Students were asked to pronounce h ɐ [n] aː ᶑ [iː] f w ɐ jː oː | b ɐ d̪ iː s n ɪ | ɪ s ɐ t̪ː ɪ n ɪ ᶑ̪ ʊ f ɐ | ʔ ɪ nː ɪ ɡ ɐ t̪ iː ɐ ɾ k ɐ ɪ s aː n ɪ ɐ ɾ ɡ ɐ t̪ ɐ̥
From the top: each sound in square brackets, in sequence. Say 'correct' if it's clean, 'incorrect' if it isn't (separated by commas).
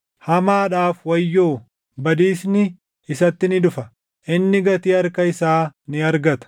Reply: incorrect, incorrect